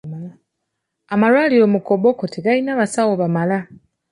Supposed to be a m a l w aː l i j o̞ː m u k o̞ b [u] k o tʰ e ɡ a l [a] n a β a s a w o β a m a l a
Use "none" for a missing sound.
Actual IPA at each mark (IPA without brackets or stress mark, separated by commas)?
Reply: o, i